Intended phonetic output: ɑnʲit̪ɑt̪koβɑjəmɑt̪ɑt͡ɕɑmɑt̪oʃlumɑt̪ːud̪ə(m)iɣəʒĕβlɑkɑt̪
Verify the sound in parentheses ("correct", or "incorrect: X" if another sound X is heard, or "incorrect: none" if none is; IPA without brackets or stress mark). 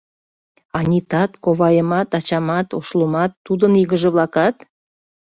incorrect: n